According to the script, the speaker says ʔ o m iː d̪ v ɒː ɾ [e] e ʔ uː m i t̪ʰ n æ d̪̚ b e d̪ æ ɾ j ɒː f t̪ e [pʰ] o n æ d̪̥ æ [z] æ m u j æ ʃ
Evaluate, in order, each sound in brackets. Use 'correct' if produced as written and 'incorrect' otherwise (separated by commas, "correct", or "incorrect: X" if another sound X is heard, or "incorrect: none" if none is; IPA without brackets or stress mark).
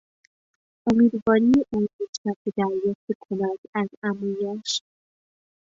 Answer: incorrect: i, incorrect: kʰ, correct